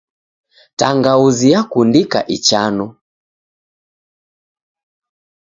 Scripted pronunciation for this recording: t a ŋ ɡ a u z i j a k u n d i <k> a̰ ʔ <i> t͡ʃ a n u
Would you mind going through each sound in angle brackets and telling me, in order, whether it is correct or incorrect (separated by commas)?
correct, correct